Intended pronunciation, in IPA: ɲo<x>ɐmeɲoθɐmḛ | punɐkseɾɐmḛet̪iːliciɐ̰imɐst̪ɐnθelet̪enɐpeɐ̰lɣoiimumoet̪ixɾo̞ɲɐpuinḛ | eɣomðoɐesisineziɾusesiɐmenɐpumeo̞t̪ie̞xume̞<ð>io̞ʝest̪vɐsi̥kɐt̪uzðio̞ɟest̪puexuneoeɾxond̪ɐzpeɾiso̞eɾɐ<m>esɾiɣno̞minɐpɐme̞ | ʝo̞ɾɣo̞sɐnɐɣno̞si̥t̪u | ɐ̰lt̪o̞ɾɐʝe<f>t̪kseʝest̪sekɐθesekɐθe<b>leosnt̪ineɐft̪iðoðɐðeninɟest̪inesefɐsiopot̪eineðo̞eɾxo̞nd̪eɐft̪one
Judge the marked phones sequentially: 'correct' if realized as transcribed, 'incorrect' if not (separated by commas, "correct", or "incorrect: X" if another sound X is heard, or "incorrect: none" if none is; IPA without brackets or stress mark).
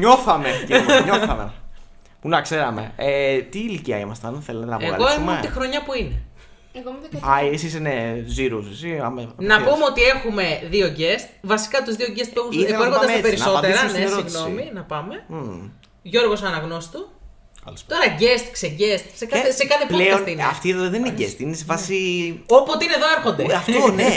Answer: incorrect: θ, correct, incorrect: n, incorrect: s, incorrect: p